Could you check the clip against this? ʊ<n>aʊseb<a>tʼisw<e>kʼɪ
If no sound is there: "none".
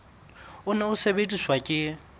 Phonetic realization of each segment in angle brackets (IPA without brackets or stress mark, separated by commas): n, e, a